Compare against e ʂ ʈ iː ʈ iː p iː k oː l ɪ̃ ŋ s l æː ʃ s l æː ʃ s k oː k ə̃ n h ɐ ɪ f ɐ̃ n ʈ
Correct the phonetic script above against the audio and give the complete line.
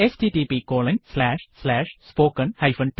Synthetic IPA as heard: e s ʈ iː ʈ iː p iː k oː l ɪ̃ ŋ s l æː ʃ s l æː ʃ s p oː k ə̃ n h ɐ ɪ f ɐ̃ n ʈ